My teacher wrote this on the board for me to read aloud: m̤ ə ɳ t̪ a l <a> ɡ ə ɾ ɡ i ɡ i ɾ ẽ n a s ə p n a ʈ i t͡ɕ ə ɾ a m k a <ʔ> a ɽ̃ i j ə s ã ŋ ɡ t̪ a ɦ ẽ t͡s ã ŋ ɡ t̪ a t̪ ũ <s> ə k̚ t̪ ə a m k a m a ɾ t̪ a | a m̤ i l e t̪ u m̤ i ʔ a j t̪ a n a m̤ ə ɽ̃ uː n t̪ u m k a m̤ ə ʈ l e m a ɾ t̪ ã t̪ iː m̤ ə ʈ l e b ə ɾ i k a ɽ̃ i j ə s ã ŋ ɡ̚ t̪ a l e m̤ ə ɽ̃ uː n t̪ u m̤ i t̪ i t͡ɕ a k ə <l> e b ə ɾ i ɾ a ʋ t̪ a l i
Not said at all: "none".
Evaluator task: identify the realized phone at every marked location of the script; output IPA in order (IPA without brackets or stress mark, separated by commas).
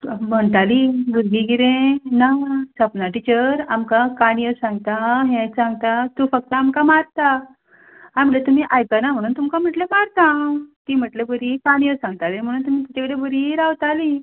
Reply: i, k, f, ɽ